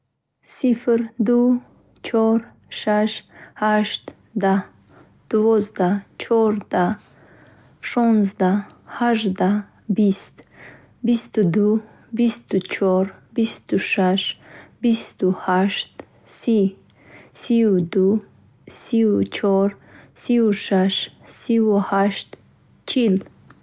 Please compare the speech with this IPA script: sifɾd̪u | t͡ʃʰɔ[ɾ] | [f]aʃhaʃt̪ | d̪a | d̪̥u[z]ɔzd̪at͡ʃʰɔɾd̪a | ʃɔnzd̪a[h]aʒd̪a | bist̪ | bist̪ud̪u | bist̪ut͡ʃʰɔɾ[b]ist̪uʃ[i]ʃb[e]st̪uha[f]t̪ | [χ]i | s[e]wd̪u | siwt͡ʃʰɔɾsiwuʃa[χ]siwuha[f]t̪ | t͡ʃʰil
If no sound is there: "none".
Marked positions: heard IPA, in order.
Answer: ɾ, ʃ, v, h, b, a, i, ʃ, s, i, ʃ, ʃ

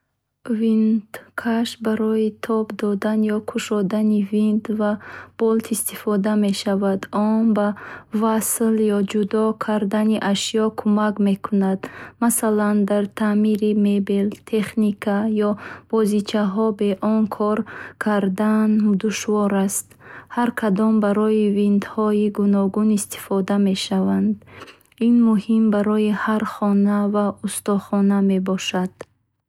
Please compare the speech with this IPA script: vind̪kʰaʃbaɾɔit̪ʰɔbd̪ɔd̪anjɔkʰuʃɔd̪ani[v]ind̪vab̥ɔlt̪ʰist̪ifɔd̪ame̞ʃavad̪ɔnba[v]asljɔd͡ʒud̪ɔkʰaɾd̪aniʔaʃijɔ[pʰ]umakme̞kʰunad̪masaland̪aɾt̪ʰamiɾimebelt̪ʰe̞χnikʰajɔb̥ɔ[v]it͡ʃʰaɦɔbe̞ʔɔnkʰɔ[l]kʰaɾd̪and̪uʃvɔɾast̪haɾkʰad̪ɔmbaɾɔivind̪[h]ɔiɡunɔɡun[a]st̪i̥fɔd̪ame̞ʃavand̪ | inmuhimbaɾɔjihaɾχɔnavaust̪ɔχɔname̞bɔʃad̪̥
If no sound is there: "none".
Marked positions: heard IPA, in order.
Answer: v, v, kʰ, z, ɾ, h, i

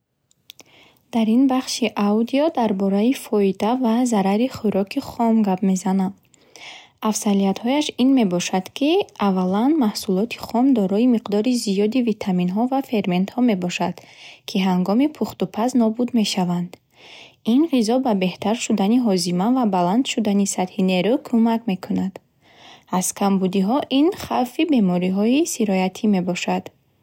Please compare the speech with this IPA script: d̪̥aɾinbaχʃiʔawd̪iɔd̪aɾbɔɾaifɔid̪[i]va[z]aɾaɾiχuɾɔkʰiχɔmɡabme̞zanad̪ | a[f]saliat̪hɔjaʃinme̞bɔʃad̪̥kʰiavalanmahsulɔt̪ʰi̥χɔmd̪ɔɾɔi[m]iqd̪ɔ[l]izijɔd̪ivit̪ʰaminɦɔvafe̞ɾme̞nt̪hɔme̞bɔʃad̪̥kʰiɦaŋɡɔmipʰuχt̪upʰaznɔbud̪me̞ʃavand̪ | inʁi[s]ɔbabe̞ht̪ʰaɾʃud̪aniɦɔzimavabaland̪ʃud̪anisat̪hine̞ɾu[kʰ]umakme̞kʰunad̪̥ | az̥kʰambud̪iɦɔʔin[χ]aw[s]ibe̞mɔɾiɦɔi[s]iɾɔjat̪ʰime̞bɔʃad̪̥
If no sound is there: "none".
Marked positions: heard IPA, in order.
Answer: a, z, f, m, ɾ, z, kʰ, χ, f, s

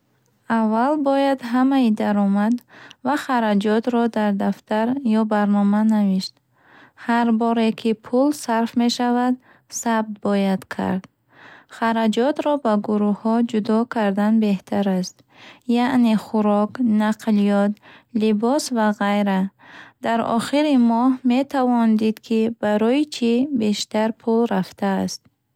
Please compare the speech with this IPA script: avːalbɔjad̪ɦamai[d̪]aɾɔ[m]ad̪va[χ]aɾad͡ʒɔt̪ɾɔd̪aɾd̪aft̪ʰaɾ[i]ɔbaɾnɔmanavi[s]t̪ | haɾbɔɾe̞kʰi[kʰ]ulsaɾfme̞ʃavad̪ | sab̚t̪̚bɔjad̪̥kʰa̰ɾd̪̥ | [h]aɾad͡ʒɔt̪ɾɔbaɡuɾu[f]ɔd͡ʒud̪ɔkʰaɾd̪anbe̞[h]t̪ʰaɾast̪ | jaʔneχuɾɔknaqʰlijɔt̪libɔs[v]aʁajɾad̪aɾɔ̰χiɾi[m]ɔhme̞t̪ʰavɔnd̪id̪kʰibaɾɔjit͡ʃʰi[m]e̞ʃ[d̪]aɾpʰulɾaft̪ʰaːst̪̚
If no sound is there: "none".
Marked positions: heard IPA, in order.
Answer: d̪, m, χ, j, ʃ, pʰ, χ, h, h, v, m, b, t̪

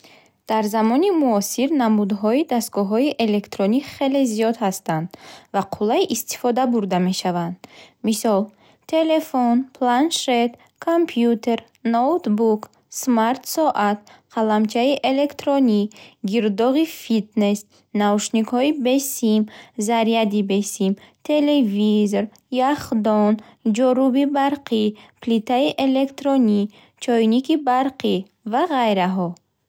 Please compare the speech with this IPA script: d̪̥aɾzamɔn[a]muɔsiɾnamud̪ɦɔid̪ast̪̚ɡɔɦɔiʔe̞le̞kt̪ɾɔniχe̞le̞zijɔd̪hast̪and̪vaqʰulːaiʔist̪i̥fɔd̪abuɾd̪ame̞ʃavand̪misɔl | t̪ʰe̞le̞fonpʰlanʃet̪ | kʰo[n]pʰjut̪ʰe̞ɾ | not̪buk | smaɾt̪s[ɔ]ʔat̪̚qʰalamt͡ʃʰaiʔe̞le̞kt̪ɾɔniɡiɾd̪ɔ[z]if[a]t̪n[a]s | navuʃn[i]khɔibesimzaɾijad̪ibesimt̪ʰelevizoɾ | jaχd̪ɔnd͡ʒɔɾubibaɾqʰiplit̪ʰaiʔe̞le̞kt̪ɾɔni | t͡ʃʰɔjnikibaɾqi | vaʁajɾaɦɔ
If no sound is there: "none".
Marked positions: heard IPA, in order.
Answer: i, m, ɔ, ʁ, i, e, i

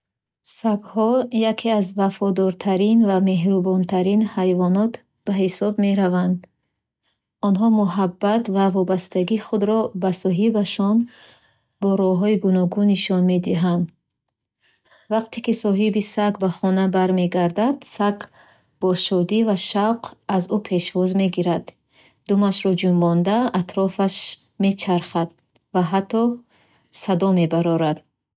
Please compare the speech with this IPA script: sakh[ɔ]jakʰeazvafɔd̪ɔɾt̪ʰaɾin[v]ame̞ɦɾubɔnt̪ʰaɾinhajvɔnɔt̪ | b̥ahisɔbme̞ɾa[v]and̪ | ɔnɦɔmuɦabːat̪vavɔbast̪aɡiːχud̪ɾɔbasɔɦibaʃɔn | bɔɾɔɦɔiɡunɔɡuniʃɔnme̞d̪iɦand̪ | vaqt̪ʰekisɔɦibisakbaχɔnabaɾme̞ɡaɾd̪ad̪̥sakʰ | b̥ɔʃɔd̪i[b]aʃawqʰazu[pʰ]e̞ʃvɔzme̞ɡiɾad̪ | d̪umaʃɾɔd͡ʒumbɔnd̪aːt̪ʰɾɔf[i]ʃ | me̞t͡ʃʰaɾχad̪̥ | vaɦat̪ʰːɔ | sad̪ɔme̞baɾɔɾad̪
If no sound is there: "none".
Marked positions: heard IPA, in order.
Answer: ɔ, v, v, v, pʰ, a

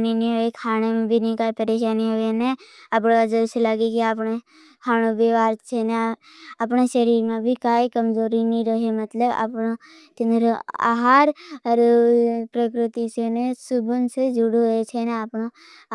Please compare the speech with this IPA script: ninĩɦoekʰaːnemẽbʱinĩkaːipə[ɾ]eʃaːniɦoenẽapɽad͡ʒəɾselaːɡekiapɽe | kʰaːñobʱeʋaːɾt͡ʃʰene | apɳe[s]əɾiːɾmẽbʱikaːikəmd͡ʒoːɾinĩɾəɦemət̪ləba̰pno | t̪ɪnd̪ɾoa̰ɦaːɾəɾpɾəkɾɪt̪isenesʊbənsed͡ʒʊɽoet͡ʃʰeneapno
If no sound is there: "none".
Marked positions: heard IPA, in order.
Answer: ɾ, ʃ

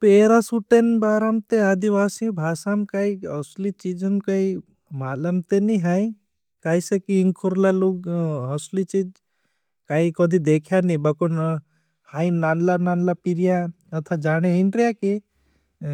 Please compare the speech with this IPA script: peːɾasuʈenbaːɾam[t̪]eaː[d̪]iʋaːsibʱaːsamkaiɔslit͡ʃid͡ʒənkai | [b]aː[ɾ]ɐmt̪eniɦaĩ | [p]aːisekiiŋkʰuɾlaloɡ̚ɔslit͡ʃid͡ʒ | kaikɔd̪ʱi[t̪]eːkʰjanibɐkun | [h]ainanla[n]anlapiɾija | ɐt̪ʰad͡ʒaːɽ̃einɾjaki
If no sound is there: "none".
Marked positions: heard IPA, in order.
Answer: t̪, d̪, m, l, k, d̪, h, n

